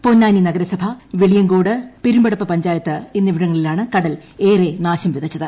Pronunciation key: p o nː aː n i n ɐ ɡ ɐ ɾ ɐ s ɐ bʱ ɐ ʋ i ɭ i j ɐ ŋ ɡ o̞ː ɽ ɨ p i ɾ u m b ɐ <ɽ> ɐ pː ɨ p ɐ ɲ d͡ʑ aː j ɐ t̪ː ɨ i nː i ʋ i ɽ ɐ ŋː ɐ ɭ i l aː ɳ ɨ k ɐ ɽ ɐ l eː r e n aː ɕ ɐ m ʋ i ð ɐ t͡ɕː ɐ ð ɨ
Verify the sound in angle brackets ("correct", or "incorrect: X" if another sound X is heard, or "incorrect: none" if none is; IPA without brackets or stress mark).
correct